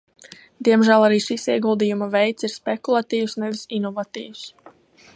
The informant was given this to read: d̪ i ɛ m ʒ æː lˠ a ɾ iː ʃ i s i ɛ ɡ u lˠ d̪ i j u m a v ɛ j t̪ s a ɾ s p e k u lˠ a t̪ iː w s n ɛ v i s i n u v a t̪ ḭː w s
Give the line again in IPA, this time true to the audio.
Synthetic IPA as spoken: d̪ i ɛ m ʒ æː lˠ a ɾ iː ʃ i s i ɛ ɡ u lˠ d̪ i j u m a v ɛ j t̪ s i ɾ s p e k u lˠ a t̪ iː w s n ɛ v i s i n ɔ v a t̪ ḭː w s